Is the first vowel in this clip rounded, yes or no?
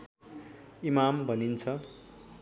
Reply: no